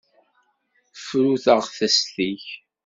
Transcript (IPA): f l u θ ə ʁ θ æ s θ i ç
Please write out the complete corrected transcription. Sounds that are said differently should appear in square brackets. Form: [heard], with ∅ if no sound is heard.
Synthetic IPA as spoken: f [ɾ] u θ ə ʁ θ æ s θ i ç

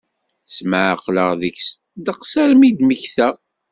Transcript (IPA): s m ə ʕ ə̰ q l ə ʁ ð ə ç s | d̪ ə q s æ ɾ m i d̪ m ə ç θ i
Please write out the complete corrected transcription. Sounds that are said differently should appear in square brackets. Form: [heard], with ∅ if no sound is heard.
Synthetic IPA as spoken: s m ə ʕ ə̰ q l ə ʁ ð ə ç s | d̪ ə q s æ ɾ m i d̪ m ə ç θ [æ]

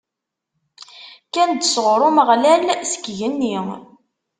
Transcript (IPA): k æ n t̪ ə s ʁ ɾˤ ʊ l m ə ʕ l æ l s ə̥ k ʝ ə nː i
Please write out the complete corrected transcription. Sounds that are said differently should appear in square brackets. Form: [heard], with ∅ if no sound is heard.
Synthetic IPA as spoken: k æ n [d̪] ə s ʁ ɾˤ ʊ [∅] m ə [ʁ] l æ l s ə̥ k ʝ ə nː i

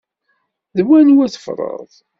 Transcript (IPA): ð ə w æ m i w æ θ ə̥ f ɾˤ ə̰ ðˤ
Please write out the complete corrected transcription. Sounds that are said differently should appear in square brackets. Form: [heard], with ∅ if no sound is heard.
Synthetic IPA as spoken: ð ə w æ [n] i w æ θ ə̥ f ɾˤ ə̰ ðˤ

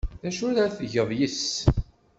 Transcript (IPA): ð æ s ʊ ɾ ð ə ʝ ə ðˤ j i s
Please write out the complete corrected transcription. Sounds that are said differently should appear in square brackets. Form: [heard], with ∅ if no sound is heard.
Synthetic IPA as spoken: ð æ [ʃ] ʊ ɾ [θ] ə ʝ ə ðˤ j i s

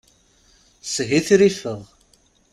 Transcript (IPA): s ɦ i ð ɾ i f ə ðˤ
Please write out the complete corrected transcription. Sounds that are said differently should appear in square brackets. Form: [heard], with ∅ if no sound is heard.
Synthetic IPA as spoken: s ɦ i [θ] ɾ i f ə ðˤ

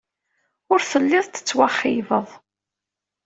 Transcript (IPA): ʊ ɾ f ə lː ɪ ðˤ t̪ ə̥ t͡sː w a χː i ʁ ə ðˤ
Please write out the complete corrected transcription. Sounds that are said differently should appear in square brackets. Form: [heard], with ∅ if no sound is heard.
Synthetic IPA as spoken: ʊ ɾ [θ] ə lː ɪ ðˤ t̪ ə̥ t͡sː w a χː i [v] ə ðˤ

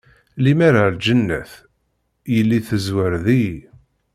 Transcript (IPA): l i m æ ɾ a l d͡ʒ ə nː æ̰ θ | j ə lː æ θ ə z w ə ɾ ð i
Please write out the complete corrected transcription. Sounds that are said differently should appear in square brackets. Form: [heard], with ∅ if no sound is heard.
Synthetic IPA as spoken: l i m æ ɾ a l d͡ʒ ə nː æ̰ θ | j ə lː [i] θ ə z w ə ɾ ð i

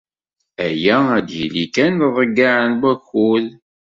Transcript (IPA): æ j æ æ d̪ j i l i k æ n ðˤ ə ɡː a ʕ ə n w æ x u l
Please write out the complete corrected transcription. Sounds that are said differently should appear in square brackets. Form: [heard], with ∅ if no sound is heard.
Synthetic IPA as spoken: æ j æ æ d̪ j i l i k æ n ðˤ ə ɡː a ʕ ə n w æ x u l

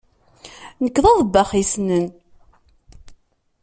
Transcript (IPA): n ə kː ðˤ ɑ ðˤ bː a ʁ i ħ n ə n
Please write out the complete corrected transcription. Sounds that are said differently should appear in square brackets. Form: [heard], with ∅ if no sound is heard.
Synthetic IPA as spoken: n ə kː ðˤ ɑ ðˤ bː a [χ] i [s] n ə n

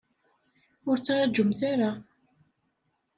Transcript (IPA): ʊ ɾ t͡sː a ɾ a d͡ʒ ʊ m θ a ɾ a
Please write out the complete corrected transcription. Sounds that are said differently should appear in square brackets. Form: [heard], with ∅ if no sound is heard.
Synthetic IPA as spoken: ʊ ɾ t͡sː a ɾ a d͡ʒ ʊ m θ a ɾ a

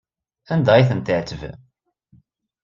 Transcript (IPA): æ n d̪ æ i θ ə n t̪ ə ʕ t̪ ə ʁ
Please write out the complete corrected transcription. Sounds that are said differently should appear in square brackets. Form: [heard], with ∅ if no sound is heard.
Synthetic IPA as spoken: æ n d̪ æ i θ ə n t̪ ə ʕ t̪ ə [v]

